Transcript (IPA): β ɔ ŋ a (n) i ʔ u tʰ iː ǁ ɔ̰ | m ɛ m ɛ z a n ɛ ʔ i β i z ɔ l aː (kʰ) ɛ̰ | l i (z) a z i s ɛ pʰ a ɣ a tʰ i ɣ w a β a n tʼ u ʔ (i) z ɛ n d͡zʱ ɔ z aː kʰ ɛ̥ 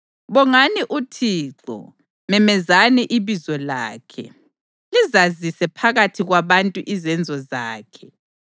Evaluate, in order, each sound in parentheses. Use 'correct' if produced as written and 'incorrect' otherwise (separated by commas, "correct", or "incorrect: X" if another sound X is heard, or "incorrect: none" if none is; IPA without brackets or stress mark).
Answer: correct, correct, correct, correct